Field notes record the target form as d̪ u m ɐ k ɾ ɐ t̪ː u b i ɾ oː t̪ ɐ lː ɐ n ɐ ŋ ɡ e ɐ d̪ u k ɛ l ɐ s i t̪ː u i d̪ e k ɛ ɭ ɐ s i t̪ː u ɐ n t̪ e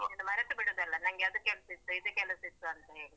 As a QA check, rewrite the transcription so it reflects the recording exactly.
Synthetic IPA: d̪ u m ɐ ɾ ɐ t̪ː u b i ɽ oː d̪ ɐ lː ɐ n ɐ ŋ ɡ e ɐ d̪ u k ɛ l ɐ s i t̪ː u i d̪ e k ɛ l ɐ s i t̪ː u ɐ n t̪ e